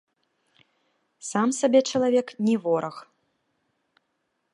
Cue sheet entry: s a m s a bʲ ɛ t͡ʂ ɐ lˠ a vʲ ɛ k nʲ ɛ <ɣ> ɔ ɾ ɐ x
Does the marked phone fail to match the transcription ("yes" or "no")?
yes